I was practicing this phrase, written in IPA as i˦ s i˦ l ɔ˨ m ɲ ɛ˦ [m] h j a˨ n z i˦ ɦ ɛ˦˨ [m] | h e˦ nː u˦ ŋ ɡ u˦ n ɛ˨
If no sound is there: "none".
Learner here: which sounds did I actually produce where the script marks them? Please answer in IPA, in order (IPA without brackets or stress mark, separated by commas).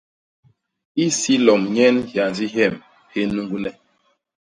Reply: n, m